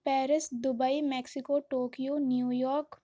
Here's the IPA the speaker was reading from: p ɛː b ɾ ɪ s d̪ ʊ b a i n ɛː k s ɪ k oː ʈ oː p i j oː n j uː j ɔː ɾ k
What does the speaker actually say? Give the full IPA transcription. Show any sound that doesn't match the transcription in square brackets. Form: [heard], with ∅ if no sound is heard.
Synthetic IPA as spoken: p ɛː [∅] ɾ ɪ s d̪ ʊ b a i [m] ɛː k s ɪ k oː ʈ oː [k] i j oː n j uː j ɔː ɾ k